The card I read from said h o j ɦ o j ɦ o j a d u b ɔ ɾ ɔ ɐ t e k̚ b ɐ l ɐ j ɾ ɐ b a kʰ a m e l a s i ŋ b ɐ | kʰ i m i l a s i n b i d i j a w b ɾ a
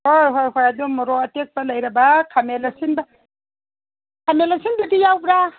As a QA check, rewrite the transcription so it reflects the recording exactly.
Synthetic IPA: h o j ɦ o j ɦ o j a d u m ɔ ɾ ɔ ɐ t e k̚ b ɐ l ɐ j ɾ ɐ b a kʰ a m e l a s i n b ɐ | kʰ a m e l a s i n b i d i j a w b ɾ a